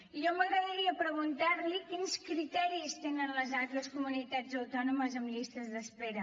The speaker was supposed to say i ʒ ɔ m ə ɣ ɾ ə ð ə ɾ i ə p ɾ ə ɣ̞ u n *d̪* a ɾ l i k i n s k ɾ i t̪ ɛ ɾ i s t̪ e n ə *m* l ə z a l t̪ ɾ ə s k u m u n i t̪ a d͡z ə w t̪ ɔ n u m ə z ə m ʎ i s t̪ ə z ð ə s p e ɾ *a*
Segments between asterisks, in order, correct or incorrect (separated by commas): incorrect, incorrect, incorrect